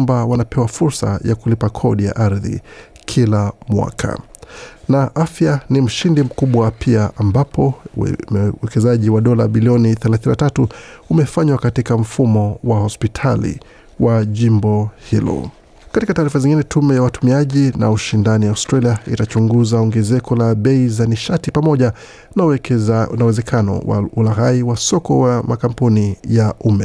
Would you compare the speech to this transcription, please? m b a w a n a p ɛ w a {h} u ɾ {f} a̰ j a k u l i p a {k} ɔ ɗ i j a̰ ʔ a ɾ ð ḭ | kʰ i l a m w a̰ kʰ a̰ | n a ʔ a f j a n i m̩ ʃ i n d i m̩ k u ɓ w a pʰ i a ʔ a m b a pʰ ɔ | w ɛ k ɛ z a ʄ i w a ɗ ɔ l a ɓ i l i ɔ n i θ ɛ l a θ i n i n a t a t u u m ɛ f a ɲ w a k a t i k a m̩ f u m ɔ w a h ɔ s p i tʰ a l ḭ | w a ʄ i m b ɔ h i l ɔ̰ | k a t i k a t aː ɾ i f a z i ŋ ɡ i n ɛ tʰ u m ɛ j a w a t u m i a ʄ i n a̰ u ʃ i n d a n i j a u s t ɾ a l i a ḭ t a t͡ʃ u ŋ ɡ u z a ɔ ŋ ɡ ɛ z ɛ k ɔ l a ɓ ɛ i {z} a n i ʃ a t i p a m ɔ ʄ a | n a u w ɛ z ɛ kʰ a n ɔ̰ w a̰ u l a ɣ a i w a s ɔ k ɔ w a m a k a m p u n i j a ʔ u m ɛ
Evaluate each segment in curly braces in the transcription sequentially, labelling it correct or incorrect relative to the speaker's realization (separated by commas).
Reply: incorrect, incorrect, incorrect, correct